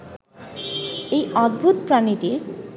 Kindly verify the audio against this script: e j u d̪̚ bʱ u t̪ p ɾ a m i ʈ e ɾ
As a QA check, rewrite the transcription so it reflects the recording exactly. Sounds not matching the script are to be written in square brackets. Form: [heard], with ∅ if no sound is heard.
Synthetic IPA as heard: e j [ɔ] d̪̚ bʱ u t̪ p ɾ a [n] i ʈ [i] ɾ